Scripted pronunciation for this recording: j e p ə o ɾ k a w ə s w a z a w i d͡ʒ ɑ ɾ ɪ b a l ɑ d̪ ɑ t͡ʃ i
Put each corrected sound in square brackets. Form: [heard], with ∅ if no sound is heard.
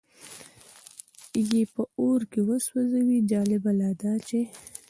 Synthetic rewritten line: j e p ə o ɾ k [e] w ə s w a z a w i d͡ʒ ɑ [l] ɪ b a l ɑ d̪ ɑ t͡ʃ [e]